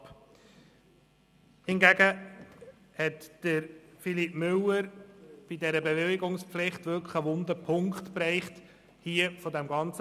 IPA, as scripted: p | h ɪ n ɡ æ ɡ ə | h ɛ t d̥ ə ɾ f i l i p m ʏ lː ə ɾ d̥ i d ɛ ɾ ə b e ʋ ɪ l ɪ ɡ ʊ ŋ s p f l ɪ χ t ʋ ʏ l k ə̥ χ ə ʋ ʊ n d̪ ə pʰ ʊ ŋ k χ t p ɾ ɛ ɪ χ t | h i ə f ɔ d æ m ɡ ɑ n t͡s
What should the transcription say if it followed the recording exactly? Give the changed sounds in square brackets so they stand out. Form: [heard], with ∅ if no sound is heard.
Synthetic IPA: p | h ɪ n ɡ æ ɡ ə | h ɛ t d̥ ə ɾ f i l i p m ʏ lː ə ɾ [b̥] i d ɛ ɾ ə b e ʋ ɪ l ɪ ɡ ʊ ŋ s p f l ɪ χ t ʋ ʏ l k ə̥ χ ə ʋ ʊ n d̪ ə pʰ ʊ ŋ k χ t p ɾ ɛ ɪ χ t | h i ə f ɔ d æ m ɡ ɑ n t͡s